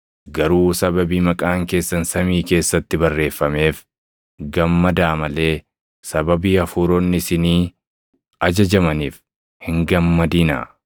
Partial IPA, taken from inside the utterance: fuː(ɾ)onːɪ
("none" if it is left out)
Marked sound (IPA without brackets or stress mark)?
ɾ